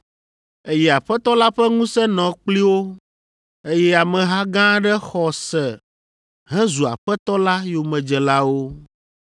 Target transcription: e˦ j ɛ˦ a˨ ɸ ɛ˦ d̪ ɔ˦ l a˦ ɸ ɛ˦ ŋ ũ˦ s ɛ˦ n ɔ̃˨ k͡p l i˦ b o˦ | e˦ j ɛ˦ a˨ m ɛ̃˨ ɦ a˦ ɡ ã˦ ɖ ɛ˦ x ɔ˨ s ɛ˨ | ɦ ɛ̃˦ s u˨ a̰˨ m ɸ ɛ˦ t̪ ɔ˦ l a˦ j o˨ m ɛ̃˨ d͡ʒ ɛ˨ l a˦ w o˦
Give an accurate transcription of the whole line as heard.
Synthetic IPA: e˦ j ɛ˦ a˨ ɸ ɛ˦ t̪ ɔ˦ l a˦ ɸ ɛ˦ ŋ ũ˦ s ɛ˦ n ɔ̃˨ k͡p l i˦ w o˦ | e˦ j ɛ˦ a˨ m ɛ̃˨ ɦ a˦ ɡ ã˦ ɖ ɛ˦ x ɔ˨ s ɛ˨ | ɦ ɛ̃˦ z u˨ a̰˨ ɸ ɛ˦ t̪ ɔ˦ l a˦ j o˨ m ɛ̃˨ d͡ʒ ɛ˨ l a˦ w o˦